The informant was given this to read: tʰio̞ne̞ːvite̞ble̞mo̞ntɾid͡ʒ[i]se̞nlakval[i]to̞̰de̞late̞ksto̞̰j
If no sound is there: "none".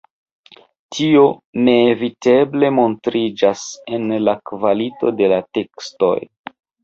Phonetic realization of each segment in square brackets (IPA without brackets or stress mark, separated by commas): a, i